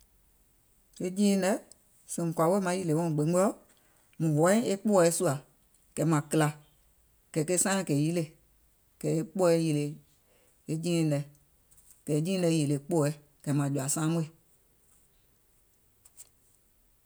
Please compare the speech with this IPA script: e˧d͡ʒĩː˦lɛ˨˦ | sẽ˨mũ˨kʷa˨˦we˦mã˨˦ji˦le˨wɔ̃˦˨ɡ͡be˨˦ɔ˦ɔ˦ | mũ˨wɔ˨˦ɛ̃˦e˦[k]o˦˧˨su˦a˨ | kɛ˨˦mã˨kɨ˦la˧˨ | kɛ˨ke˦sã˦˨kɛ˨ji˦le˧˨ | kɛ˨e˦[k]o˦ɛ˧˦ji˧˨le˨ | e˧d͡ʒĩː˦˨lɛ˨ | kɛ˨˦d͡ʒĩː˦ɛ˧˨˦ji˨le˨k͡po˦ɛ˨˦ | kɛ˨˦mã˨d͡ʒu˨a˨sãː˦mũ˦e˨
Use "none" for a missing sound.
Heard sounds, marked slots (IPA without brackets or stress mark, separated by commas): k͡p, k͡p